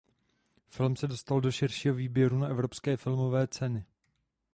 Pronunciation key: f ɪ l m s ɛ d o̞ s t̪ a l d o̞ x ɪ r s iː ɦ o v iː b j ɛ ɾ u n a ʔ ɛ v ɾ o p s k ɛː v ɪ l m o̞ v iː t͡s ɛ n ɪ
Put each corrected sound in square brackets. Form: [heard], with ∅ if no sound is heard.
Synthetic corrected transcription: f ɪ l m s ɛ d o̞ s t̪ a l d o̞ [ʃ] ɪ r [ʃ] iː ɦ o v iː b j ɛ ɾ u n a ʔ ɛ v ɾ o p s k ɛː [f] ɪ l m o̞ v [ɛː] t͡s ɛ n ɪ